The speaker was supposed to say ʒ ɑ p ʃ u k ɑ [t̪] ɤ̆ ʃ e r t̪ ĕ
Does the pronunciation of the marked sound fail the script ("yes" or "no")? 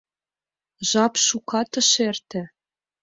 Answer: no